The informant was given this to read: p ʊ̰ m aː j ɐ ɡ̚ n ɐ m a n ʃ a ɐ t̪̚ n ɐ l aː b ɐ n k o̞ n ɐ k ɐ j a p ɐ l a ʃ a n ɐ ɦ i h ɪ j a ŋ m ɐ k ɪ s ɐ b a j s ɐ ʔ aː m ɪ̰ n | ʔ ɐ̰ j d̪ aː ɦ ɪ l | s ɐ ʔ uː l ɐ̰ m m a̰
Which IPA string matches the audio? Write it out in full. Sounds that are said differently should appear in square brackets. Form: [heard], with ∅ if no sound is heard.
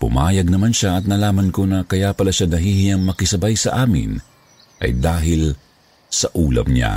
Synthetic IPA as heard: p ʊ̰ m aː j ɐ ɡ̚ n ɐ m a n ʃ a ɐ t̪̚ n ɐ l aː [m] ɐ n k o̞ n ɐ k ɐ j a p ɐ l a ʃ a n ɐ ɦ i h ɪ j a ŋ m ɐ k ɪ s ɐ b a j s ɐ ʔ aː m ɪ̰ n | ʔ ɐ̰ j d̪ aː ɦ ɪ l | s ɐ ʔ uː l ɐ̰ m [ɲ] a̰